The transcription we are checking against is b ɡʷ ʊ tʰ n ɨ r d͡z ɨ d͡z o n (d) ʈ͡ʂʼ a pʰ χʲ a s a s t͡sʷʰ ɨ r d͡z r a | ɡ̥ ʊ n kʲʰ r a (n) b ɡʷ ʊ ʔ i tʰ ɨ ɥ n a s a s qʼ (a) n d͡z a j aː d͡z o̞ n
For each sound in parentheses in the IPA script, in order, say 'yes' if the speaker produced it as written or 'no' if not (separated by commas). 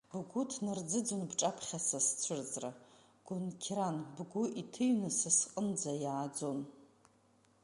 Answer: no, yes, no